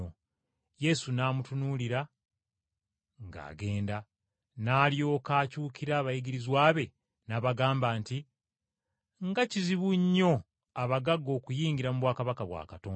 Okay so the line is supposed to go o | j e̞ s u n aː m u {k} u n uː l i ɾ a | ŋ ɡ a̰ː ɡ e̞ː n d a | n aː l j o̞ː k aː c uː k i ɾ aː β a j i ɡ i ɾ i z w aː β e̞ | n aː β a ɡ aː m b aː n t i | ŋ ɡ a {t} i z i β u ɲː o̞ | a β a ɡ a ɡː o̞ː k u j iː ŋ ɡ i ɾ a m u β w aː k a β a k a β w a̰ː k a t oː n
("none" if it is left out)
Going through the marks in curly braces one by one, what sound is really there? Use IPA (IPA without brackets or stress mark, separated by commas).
t, c